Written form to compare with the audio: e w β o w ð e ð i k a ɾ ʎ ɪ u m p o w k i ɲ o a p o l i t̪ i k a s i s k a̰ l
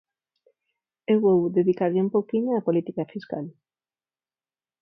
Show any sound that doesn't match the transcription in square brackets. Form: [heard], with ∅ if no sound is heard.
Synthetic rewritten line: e w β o w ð e ð i k a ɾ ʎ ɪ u m p o w k i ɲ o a p o l i t̪ i k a [f] i s k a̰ l